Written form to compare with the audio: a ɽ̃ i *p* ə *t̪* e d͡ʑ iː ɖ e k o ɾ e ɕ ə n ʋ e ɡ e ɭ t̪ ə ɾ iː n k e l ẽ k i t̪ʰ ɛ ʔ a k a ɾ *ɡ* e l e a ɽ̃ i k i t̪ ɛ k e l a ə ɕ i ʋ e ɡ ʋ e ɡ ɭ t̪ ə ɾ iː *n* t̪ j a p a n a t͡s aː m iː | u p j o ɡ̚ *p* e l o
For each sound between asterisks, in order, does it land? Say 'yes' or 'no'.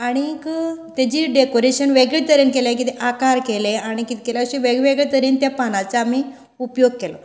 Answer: no, yes, no, yes, no

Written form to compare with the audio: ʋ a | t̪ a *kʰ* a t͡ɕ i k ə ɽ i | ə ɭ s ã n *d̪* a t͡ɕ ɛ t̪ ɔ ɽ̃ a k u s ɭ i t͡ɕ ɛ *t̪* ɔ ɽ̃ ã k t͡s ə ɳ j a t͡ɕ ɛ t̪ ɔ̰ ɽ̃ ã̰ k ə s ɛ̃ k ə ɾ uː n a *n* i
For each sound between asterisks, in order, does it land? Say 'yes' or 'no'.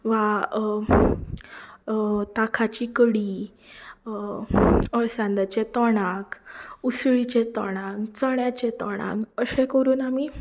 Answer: yes, yes, yes, no

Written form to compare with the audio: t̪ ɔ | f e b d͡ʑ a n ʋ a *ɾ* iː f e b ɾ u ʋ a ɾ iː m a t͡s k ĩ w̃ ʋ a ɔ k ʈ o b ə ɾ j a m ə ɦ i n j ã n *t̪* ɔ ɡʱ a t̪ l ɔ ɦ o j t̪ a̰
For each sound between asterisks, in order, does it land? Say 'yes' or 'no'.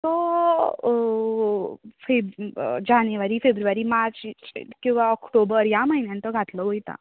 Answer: yes, yes

